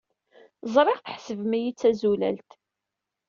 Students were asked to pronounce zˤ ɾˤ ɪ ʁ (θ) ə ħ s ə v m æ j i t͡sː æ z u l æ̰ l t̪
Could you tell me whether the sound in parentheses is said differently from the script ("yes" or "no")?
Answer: no